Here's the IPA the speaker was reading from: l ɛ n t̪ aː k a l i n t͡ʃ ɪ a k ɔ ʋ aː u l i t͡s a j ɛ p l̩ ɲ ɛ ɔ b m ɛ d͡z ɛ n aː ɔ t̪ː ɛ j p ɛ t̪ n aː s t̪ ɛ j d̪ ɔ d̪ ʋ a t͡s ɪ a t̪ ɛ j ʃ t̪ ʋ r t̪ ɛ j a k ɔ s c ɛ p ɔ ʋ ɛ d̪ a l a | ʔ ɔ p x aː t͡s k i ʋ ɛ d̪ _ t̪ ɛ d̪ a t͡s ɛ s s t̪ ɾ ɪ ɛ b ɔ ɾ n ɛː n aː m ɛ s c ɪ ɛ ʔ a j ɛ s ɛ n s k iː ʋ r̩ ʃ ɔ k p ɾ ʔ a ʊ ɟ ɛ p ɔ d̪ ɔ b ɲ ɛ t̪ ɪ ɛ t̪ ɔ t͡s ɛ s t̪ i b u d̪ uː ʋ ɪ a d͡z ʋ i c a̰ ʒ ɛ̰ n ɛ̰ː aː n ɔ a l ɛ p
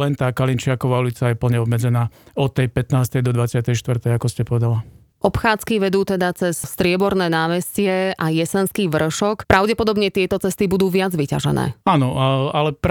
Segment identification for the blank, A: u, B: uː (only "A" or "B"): B